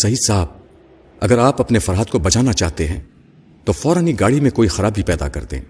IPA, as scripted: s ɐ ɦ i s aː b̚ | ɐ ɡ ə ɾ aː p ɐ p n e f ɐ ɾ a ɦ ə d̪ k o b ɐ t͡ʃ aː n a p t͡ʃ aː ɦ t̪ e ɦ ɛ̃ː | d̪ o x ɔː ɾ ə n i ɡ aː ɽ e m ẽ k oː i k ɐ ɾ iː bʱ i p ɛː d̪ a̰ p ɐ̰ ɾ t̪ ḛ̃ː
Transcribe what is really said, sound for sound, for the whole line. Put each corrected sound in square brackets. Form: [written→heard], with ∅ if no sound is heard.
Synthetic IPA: s ɐ ɦ i s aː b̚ | ɐ ɡ ə ɾ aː p ɐ p n e f ɐ ɾ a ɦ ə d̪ k o b ɐ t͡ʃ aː n a [p→∅] t͡ʃ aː ɦ t̪ e ɦ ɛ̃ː | [d̪→t̪] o [x→f] ɔː ɾ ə n i ɡ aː ɽ [e→i] m ẽ k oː i [k→x] ɐ ɾ [iː→aː] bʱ i p ɛː d̪ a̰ [p→k] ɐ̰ ɾ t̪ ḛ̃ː